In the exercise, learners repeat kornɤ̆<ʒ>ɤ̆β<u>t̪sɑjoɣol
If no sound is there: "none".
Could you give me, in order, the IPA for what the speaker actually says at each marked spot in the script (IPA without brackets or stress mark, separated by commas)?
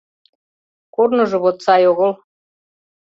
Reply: ʒ, o